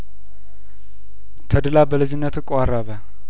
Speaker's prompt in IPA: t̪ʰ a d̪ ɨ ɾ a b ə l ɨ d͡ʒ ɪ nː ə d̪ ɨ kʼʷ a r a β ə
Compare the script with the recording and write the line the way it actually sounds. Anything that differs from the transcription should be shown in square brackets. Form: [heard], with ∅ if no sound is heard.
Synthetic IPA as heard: t̪ʰ [ə] d̪ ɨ [l] a b ə l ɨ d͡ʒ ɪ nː ə [t̪] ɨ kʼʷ a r a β ə